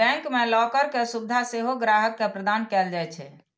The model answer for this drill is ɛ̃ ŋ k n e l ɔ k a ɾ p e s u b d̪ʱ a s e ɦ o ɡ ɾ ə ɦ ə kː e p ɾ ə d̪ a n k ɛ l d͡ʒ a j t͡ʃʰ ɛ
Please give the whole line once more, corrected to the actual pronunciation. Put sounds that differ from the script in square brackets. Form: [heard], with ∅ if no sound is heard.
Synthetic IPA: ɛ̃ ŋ k [m] e l ɔ k [ə] ɾ [k] e s u b d̪ʱ a s e ɦ o ɡ ɾ [a] ɦ ə kː e p ɾ ə d̪ a n k ɛ l d͡ʒ a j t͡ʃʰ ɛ